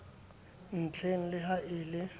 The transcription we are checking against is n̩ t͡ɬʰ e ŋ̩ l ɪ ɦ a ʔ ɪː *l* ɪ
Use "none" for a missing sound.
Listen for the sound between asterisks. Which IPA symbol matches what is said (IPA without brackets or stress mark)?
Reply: l